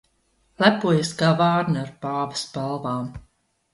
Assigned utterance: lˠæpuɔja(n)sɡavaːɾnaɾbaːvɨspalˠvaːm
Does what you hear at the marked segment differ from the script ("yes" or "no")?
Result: yes